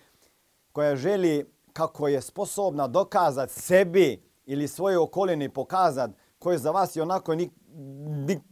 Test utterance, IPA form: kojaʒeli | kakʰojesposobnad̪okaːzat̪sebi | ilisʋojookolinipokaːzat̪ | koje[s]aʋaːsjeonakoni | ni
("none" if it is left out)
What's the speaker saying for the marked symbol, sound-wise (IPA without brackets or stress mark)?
z